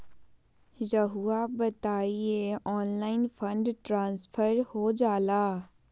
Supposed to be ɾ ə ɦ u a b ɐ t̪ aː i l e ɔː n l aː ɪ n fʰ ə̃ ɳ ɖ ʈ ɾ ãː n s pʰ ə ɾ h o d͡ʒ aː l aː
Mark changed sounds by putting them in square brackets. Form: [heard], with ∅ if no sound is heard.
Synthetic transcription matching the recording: ɾ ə ɦ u a b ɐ t̪ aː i [∅] e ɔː n l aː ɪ n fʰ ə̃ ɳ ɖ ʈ ɾ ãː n s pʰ ə ɾ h o d͡ʒ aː l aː